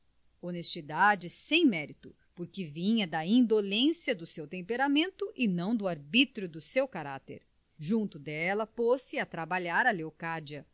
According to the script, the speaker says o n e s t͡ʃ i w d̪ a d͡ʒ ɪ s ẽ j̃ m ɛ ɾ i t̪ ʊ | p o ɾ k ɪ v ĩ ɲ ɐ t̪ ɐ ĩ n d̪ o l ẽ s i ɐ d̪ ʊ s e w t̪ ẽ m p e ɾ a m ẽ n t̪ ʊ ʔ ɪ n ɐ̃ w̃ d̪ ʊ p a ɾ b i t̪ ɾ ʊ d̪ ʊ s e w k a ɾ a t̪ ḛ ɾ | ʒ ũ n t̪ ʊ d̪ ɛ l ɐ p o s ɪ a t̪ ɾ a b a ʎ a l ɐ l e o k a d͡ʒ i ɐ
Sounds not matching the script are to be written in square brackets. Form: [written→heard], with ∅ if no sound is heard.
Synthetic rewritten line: o n e s t͡ʃ i [w→∅] d̪ a d͡ʒ ɪ s ẽ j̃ m ɛ ɾ i t̪ ʊ | p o ɾ k ɪ v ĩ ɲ ɐ [t̪→d̪] ɐ ĩ n d̪ o l ẽ s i ɐ d̪ ʊ s e w t̪ ẽ m p e ɾ a m ẽ n t̪ ʊ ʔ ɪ n ɐ̃ w̃ d̪ ʊ [p→∅] a ɾ b i t̪ ɾ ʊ d̪ ʊ s e w k a ɾ a t̪ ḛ ɾ | ʒ ũ n t̪ ʊ d̪ ɛ l ɐ p o s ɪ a t̪ ɾ a b a ʎ a [l→ɾ] ɐ l e o k a d͡ʒ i ɐ